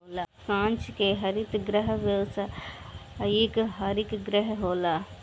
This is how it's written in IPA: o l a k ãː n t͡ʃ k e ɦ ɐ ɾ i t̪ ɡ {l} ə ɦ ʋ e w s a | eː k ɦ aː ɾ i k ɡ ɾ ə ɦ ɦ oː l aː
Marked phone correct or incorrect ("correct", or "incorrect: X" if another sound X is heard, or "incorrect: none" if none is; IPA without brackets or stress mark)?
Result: incorrect: ɾ